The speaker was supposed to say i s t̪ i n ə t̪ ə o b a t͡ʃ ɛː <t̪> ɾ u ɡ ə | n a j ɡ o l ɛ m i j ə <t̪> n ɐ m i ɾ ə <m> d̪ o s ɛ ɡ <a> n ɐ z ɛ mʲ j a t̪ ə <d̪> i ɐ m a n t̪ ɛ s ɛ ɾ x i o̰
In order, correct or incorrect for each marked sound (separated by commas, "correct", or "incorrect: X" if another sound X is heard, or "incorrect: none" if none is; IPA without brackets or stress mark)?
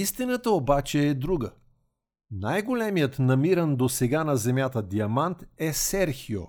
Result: incorrect: d̪, correct, incorrect: n, correct, correct